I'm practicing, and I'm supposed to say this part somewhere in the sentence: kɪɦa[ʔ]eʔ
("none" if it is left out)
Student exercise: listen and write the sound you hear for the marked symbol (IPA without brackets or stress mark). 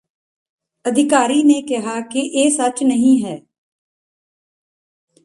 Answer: k